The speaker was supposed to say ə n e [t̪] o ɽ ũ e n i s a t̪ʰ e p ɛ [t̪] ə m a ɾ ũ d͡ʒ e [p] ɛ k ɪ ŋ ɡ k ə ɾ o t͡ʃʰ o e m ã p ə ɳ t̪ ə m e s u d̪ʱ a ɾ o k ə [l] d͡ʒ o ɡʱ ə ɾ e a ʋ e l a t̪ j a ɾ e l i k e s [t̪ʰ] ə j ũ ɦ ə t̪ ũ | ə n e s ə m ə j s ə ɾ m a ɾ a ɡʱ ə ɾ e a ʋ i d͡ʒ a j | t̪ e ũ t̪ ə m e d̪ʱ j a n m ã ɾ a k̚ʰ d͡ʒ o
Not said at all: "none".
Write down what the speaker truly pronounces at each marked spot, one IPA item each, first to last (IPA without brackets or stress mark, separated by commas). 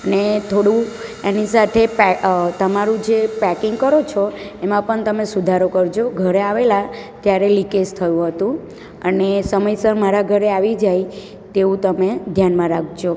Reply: t̪ʰ, t̪, p, ɾ, t̪ʰ